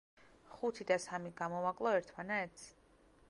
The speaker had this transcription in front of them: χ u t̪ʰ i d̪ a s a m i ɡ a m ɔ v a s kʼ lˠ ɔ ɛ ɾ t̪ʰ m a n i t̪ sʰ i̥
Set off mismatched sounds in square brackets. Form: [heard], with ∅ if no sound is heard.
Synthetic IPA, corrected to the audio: χ u t̪ʰ i d̪ a s a m i ɡ a m ɔ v a [∅] kʼ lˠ ɔ ɛ ɾ t̪ʰ m a n [ɛ] t̪ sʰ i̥